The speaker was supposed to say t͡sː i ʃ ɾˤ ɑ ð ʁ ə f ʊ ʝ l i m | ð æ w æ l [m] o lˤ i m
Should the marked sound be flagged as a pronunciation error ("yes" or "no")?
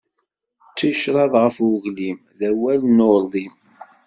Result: yes